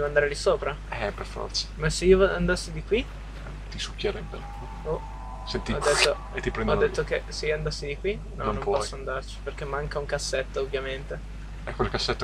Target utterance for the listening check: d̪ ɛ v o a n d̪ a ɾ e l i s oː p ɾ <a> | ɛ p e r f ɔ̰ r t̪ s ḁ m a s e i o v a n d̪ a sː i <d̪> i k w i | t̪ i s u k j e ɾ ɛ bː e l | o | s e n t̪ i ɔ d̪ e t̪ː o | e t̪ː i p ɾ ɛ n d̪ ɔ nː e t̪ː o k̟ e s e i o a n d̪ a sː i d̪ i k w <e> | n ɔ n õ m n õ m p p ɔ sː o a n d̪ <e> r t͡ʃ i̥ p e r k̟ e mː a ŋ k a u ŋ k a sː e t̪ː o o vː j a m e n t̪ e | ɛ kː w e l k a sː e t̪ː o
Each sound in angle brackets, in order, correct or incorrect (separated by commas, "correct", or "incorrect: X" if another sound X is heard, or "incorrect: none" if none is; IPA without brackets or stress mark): correct, correct, incorrect: i, incorrect: a